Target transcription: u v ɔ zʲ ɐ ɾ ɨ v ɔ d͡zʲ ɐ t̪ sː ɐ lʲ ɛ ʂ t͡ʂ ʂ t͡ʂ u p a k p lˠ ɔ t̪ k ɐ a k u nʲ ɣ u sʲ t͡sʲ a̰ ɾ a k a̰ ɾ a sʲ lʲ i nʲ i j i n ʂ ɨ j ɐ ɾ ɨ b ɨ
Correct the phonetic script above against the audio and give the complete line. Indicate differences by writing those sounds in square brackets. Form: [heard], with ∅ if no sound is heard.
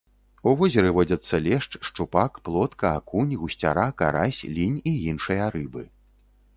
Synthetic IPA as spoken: u v ɔ zʲ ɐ ɾ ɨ v ɔ d͡zʲ ɐ t̪ sː ɐ lʲ ɛ ʂ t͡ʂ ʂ t͡ʂ u p a k p lˠ ɔ t̪ k ɐ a k u nʲ ɣ u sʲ t͡sʲ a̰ ɾ a k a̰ ɾ a sʲ lʲ i nʲ i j i n ʂ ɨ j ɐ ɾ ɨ b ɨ